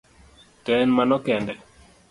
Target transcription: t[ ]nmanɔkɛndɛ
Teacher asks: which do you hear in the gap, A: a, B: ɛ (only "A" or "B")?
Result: B